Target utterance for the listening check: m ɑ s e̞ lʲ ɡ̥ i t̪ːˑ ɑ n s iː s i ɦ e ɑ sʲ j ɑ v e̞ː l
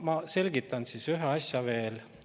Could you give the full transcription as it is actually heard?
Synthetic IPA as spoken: m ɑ s e̞ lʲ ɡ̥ i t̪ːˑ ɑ n s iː s y ɦ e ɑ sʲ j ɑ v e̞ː l